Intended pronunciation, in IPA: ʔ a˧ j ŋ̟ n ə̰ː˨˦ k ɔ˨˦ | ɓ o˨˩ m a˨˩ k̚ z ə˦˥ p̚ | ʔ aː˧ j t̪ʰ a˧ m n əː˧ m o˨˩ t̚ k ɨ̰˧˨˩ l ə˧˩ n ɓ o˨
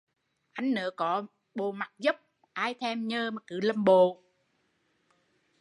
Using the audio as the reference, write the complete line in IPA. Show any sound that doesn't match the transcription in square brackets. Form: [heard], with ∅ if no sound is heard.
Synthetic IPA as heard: ʔ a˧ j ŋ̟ n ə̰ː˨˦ k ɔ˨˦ | ɓ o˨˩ m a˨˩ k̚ z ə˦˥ p̚ | ʔ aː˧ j t̪ʰ [ɛ˧] m [ɲ] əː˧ m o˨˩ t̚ k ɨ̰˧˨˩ l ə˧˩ [m] ɓ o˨